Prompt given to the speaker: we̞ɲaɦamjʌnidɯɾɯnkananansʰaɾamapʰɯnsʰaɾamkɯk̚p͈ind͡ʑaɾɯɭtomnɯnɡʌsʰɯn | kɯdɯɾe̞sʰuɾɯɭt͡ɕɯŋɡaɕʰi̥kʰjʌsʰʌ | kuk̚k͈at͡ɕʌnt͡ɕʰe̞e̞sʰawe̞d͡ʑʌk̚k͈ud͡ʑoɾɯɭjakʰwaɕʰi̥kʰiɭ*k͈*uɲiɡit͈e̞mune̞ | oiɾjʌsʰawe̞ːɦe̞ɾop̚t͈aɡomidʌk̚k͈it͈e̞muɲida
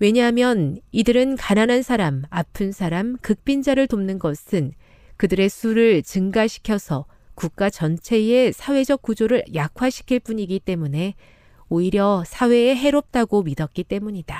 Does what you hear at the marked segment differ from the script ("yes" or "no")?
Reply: yes